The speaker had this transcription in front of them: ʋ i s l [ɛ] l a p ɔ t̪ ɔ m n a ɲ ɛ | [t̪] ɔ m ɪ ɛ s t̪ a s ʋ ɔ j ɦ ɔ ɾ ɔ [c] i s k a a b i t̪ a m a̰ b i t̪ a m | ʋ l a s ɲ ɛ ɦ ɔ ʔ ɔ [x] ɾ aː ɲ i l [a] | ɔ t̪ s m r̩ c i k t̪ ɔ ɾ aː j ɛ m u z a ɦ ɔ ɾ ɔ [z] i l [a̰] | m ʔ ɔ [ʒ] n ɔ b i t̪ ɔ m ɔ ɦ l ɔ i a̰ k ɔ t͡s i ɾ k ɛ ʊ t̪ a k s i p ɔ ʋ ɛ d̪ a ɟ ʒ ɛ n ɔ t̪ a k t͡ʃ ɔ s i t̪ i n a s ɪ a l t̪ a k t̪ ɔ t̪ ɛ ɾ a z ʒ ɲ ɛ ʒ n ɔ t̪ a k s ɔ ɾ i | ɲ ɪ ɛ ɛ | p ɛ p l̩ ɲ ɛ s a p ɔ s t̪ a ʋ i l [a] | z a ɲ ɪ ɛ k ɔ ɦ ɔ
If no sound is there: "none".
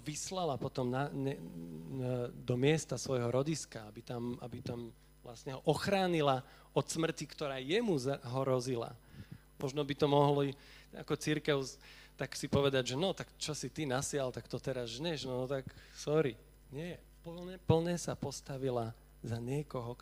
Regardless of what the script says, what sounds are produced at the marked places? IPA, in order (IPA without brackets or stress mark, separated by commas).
a, d̪, ɟ, x, a, z, a̰, ʒ, a